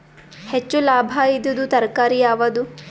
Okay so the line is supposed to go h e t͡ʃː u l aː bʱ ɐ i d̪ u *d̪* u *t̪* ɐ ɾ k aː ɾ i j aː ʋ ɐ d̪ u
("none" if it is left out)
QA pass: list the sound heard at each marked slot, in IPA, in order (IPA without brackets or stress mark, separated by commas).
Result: d̪, t̪